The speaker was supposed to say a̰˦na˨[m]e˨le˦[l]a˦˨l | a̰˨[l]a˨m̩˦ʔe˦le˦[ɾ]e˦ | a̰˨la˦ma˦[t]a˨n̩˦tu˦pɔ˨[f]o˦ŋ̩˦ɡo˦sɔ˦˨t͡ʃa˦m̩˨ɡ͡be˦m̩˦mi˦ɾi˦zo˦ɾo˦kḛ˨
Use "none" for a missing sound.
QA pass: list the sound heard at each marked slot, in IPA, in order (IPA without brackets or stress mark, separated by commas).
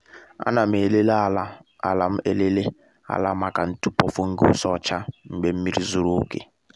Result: m, l, l, l, k, f